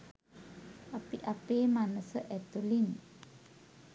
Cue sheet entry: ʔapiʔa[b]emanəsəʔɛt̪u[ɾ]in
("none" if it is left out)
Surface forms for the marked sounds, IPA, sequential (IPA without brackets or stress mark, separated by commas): p, l